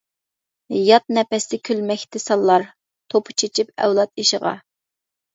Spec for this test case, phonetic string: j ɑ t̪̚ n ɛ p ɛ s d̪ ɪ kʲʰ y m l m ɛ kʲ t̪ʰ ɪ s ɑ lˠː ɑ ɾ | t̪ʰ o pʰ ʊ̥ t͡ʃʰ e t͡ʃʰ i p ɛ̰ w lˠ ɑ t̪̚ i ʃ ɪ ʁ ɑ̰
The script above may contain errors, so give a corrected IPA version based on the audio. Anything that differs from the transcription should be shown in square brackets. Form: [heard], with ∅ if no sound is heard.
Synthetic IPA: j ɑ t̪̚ n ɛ p ɛ s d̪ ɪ kʲʰ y [∅] l m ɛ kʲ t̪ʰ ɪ s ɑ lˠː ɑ ɾ | t̪ʰ o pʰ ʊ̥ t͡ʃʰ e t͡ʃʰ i p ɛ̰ w lˠ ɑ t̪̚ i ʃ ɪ ʁ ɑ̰